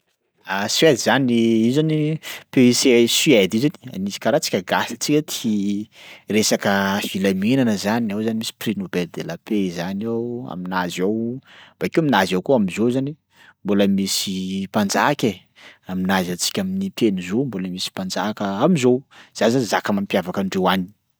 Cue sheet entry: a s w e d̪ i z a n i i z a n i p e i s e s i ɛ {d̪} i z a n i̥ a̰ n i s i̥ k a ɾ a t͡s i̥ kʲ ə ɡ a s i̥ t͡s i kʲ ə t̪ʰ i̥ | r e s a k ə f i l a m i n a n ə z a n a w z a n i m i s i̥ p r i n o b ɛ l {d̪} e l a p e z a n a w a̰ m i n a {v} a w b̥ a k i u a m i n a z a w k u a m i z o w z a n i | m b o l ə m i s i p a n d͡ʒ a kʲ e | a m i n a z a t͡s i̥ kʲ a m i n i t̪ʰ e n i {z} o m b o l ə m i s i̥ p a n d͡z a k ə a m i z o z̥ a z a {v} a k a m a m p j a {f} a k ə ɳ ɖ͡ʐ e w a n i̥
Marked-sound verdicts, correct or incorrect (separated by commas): correct, correct, incorrect, correct, incorrect, incorrect